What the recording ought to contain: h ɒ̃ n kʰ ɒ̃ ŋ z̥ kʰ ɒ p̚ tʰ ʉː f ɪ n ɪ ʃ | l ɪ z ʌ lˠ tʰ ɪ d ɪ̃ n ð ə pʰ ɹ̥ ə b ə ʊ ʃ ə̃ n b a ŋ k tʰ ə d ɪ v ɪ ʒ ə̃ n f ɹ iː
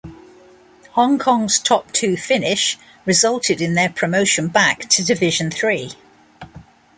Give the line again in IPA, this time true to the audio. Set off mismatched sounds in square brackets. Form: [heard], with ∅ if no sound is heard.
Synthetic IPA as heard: h ɒ̃ [ŋ] kʰ ɒ̃ ŋ z̥ [tʰ] ɒ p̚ tʰ ʉː f ɪ n ɪ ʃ | [ɹ] ɪ z ʌ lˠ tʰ ɪ d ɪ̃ n ð ə pʰ ɹ̥ ə [m] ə ʊ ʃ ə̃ n b a [∅] k tʰ ə d ɪ v ɪ ʒ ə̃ n [θ] ɹ iː